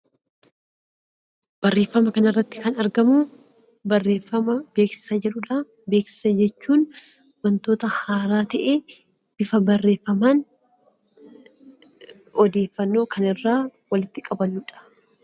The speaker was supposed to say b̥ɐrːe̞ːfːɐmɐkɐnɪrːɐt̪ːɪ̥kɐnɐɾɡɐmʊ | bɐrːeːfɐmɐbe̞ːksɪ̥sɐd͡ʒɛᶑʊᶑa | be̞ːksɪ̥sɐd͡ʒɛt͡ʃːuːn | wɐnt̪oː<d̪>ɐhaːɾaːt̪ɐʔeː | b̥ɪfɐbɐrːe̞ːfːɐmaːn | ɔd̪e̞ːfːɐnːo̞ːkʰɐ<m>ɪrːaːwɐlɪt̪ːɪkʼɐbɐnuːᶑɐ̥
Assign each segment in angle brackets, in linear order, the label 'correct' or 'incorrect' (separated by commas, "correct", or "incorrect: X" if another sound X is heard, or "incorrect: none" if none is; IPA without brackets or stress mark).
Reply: incorrect: t̪, incorrect: n